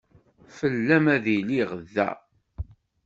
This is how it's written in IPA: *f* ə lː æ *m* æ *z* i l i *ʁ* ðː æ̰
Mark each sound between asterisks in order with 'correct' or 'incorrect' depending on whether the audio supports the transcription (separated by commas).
correct, correct, incorrect, correct